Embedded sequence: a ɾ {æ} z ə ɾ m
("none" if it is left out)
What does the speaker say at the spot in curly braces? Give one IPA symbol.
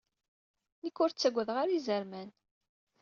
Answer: i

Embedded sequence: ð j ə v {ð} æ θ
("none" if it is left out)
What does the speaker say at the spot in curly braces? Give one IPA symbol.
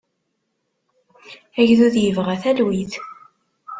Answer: ʁ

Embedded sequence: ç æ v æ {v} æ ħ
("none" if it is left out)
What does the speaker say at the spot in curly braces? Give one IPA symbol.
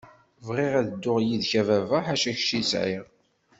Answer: v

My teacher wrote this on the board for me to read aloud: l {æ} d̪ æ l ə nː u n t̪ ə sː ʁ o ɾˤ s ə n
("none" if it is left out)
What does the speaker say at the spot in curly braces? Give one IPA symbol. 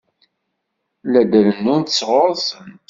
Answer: æ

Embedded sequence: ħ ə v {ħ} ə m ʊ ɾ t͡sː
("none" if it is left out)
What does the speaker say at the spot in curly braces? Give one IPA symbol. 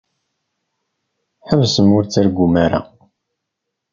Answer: s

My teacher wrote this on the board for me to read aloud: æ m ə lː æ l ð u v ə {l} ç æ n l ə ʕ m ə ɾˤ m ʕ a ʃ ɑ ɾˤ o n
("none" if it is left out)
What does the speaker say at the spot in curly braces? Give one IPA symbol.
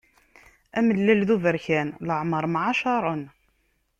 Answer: ɾ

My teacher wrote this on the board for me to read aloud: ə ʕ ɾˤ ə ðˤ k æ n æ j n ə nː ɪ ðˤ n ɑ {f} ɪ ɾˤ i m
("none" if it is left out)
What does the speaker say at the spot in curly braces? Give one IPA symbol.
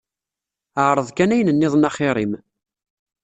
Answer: χ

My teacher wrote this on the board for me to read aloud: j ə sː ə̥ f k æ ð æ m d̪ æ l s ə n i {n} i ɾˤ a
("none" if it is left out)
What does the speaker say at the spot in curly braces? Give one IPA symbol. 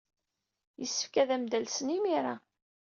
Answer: m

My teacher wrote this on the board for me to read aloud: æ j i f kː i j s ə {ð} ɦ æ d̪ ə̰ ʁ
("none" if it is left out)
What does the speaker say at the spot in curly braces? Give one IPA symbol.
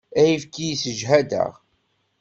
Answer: ʒ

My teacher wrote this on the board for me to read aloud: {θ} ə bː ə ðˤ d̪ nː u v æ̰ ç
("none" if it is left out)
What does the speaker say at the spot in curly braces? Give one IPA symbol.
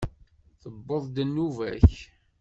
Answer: θ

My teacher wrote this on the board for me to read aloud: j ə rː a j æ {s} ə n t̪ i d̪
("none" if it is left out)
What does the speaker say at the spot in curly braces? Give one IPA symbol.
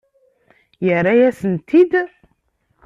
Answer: s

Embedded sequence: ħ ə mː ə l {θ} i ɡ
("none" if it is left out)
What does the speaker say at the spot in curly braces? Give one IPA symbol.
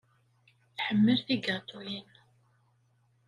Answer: θ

